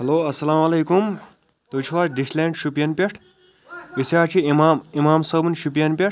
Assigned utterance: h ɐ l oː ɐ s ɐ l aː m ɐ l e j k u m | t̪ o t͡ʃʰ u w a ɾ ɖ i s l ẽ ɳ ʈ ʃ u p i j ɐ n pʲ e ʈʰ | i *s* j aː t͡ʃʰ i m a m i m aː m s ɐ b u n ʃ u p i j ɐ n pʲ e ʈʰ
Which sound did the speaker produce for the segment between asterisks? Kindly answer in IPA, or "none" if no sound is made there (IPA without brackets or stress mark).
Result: s